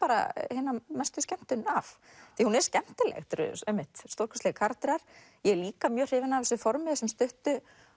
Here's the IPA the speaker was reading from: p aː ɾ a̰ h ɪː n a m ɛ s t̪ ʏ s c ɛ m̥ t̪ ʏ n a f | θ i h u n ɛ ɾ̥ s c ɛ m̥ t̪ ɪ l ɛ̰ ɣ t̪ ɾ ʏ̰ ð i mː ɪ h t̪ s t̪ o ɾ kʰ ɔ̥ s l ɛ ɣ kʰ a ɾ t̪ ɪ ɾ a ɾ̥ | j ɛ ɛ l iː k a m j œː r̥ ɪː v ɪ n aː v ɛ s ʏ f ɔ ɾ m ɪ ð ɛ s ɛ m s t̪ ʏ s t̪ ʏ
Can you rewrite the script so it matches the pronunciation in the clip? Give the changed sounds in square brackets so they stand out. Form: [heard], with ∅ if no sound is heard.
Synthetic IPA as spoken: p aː ɾ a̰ h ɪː n a m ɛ s t̪ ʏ s c ɛ m̥ t̪ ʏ n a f | θ i h u n ɛ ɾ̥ s c ɛ m̥ t̪ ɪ l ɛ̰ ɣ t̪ ɾ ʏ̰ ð [ɛ] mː ɪ h t̪ s t̪ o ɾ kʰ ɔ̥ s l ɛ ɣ kʰ a ɾ t̪ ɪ ɾ a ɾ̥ | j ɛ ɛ l iː k a m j œː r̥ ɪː v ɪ n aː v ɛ s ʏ f ɔ ɾ m ɪ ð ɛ s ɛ m s t̪ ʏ [h] t̪ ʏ

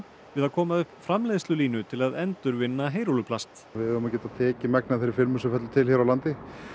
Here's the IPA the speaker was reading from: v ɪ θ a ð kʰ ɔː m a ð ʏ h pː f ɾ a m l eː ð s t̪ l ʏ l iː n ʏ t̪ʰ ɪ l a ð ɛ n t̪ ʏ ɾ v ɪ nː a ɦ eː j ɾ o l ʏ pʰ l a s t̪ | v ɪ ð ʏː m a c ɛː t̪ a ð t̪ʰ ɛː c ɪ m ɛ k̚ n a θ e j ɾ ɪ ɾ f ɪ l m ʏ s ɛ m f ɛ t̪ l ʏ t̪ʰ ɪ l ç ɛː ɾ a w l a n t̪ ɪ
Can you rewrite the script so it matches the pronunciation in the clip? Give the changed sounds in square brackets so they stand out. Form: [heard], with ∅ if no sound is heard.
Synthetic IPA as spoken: v ɪ [ð] a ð kʰ ɔː m a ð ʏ h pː f ɾ a m l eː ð s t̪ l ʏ l iː n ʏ t̪ʰ ɪ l a ð ɛ n t̪ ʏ ɾ v ɪ nː a ɦ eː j ɾ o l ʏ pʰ l a s t̪ | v ɪ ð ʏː m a c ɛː t̪ a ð t̪ʰ ɛː c ɪ m ɛ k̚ n a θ e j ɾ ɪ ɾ f ɪ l m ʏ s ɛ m f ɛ t̪ l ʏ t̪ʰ ɪ l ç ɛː ɾ a w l a n t̪ ɪ

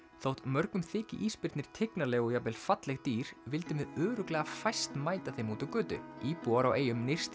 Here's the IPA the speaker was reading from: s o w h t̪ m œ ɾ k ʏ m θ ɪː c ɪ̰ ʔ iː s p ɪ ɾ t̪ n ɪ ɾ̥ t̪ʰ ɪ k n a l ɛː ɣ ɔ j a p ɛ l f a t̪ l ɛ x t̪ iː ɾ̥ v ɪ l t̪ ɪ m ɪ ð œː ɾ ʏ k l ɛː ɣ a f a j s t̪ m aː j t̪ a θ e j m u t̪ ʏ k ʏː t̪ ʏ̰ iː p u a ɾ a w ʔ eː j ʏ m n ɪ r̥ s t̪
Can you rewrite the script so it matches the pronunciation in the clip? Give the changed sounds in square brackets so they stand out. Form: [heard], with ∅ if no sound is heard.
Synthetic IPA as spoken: [θ] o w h t̪ m œ ɾ k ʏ m θ ɪː c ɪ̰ ʔ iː s p ɪ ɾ t̪ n ɪ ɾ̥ t̪ʰ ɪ k n a l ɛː ɣ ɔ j a p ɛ l f a t̪ l ɛ x t̪ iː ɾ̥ v ɪ l t̪ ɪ m ɪ ð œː ɾ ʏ k l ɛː ɣ a f a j s t̪ m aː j t̪ a θ e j m u t̪ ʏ k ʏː t̪ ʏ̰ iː p u a ɾ a w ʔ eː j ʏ m n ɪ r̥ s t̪

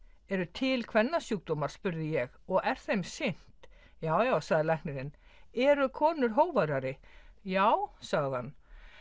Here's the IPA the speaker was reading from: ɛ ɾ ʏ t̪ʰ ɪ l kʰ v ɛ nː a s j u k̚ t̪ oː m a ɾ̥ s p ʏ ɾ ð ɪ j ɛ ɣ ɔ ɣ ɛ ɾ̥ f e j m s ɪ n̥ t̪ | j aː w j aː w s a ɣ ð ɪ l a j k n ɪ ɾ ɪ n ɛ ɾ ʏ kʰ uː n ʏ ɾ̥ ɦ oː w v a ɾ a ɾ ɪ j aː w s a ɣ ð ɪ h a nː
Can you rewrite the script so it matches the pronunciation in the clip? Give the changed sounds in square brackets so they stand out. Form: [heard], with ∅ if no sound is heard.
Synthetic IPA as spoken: ɛ ɾ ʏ t̪ʰ ɪ l kʰ v ɛ nː a s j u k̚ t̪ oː m a ɾ̥ s p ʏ ɾ ð ɪ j ɛ ɣ ɔ ɣ ɛ ɾ̥ [θ] e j m s ɪ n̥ t̪ | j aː w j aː w s a ɣ ð ɪ l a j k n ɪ ɾ ɪ n ɛ ɾ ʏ kʰ [ɔː] n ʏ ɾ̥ ɦ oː w v a ɾ a ɾ ɪ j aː w s a ɣ ð ɪ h a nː

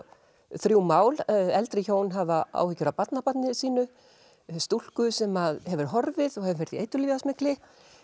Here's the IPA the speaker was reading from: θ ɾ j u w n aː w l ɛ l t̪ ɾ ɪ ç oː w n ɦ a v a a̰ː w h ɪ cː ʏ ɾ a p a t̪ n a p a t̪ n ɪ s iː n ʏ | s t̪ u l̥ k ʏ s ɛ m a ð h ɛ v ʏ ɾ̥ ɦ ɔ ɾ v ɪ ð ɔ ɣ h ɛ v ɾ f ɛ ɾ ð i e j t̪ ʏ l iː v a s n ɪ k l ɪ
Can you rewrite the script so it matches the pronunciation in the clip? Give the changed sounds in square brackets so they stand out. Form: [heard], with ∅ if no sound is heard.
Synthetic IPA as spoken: θ ɾ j u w [m] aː w l ɛ l t̪ ɾ ɪ ç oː w n ɦ a v a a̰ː w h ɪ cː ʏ ɾ a p a t̪ n a p a t̪ n ɪ s iː n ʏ | s t̪ u l̥ k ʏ s ɛ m a ð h ɛ v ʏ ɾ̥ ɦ ɔ ɾ v ɪ ð ɔ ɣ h ɛ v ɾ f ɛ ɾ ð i e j t̪ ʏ l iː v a s [m] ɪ k l ɪ

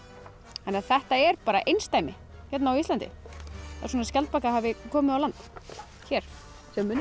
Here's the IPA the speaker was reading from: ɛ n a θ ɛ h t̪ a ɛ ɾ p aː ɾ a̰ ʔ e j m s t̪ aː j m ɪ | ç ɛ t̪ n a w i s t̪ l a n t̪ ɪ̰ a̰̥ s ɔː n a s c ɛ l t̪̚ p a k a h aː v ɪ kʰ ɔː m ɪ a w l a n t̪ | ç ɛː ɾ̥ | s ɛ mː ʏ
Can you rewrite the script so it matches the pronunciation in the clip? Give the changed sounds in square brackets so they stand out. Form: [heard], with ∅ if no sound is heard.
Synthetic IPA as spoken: ɛ n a θ ɛ h t̪ a ɛ ɾ p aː ɾ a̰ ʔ e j [n] s t̪ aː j m ɪ | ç ɛ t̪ n a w i s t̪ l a n t̪ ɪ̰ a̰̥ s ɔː n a s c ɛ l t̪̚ p a k a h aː v ɪ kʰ ɔː m ɪ a w l a n t̪ | ç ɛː ɾ̥ | s ɛ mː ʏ

